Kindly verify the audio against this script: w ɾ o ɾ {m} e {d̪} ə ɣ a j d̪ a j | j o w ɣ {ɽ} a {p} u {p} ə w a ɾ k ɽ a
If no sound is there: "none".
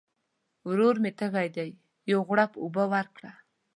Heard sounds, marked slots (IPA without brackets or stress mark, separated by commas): m, t̪, ɽ, p, b